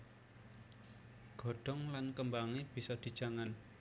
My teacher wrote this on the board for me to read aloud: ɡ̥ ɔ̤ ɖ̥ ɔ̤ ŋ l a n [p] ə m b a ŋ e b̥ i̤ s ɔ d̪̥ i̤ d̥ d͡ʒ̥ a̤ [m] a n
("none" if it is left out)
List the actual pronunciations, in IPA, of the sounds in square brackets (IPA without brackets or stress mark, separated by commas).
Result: k, ŋ